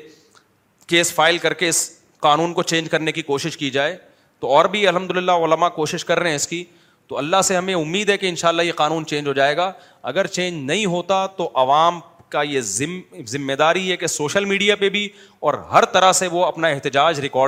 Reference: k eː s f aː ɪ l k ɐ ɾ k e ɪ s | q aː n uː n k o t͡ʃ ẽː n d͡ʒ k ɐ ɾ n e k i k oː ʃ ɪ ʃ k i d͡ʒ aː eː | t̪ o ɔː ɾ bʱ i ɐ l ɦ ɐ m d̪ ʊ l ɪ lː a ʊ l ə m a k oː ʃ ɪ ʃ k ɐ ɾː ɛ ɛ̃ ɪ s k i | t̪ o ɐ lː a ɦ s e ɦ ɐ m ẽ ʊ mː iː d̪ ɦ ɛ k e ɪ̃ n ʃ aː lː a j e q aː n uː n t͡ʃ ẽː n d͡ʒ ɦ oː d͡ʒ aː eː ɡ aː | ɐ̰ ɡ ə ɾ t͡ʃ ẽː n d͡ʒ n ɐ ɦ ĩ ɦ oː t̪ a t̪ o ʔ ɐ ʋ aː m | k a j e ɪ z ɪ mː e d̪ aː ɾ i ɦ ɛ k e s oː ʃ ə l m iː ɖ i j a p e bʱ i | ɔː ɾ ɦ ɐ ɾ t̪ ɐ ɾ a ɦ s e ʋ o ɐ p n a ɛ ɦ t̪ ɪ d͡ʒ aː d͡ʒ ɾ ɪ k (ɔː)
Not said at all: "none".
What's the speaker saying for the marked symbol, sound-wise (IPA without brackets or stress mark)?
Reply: ɔː